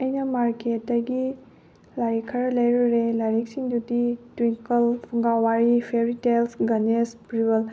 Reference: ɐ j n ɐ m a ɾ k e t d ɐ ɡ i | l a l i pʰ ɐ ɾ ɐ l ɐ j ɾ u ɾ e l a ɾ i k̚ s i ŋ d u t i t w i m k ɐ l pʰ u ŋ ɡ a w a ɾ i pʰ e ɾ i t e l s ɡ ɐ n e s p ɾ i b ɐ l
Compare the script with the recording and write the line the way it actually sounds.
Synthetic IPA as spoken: ɐ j n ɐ m a ɾ k e t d ɐ ɡ i | l a ɾ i kʰ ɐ ɾ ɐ l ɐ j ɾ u ɾ e l a ɾ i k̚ s i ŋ d u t i t w i ŋ k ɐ l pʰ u ŋ ɡ a w a ɾ i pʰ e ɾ i t e l s ɡ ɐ n e s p ɾ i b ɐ l